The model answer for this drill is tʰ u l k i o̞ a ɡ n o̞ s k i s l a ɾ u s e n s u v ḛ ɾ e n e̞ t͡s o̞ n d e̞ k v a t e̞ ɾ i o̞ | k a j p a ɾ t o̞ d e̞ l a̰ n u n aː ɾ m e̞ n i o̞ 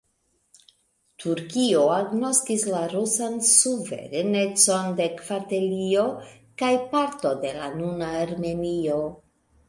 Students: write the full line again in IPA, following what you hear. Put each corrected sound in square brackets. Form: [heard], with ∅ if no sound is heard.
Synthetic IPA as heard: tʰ u [ɾ] k i o̞ a ɡ n o̞ s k i s l a ɾ u s [a] n s u v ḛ ɾ e n e̞ t͡s o̞ n d e̞ k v a t e̞ [l] i o̞ | k a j p a ɾ t o̞ d e̞ l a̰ n u n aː ɾ m e̞ n i o̞